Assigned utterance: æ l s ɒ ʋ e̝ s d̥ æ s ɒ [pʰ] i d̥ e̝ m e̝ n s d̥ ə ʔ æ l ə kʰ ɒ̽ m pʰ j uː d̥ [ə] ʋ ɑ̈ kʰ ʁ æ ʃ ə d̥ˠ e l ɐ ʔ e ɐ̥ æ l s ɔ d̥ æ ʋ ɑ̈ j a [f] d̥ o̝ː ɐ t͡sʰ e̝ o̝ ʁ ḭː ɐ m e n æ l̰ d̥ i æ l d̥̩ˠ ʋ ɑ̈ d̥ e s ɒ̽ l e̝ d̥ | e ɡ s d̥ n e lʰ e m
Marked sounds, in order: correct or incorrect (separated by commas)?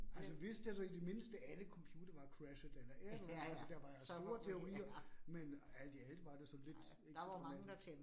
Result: incorrect, incorrect, incorrect